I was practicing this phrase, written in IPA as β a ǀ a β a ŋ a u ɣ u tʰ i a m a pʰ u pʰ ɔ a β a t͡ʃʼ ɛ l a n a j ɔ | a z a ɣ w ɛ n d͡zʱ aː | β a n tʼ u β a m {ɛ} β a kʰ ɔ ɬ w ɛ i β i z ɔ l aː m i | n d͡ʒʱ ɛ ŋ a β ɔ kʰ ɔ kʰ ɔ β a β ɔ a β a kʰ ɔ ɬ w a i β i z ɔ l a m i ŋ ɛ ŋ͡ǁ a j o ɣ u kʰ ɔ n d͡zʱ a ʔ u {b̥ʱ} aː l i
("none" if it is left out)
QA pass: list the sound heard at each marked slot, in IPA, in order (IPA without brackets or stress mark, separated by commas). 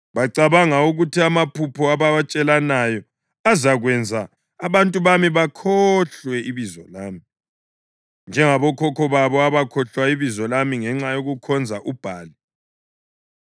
i, b̥ʱ